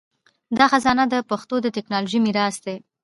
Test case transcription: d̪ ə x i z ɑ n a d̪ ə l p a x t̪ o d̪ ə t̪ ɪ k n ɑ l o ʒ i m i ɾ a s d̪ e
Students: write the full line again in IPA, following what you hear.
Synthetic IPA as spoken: d̪ ɑ x a z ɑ n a d̪ ə p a x t̪ o d̪ ə t̪ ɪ k n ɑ l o ʒ i m i ɾ ɑ s d̪ e